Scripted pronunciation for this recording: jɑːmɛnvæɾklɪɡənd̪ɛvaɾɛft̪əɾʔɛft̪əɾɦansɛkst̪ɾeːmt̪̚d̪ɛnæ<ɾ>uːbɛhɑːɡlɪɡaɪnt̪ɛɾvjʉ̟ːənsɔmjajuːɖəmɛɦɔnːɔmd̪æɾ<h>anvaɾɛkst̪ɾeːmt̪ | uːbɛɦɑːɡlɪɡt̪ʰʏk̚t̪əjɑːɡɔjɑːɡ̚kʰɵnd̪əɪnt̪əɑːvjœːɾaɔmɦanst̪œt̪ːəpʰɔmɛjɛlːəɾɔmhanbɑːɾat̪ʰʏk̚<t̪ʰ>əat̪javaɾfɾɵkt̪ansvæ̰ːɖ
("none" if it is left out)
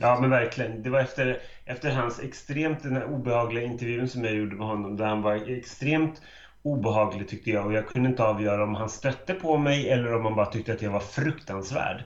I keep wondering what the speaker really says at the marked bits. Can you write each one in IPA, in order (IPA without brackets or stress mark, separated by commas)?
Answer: ɾ, h, t̪